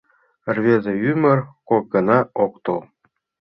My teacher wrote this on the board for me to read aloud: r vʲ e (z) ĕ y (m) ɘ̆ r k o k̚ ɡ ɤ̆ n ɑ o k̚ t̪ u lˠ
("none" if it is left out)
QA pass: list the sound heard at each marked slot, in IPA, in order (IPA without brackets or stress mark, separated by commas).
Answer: z, m